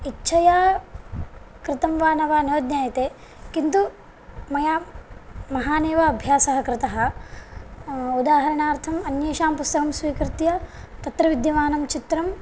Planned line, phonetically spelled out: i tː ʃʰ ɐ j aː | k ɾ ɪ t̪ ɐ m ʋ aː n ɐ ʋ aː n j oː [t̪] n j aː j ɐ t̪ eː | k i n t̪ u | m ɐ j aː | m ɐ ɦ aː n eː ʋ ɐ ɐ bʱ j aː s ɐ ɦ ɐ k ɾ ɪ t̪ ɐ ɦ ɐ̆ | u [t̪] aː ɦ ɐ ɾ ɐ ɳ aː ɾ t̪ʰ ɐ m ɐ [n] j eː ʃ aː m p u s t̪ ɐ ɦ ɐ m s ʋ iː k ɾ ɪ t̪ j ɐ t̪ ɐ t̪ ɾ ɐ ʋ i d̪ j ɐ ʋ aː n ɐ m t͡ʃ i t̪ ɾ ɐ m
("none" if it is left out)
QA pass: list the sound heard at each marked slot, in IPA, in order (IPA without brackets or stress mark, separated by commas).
d̪, d̪, n